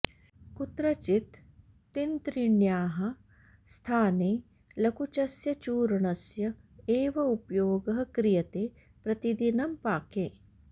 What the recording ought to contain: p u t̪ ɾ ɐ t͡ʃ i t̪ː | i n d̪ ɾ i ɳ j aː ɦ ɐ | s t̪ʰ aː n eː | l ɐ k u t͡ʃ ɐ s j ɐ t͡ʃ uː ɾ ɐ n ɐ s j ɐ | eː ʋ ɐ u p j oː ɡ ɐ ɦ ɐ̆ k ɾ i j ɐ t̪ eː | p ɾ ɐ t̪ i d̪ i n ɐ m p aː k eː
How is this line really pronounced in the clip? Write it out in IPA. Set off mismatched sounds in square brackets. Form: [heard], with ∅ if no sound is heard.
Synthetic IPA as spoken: [k] u t̪ ɾ ɐ t͡ʃ i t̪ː | i n [t̪] ɾ i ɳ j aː ɦ ɐ | s t̪ʰ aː n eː | l ɐ k u t͡ʃ ɐ s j ɐ t͡ʃ uː ɾ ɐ [ɳ] ɐ s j ɐ | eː ʋ ɐ u p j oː ɡ ɐ ɦ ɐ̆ k ɾ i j ɐ t̪ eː | p ɾ ɐ t̪ i d̪ i n ɐ m p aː k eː